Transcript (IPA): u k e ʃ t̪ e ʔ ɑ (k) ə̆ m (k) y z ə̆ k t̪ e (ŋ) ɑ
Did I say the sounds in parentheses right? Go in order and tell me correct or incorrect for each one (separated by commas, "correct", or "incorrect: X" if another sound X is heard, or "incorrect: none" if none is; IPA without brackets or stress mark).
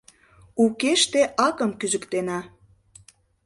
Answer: correct, correct, incorrect: n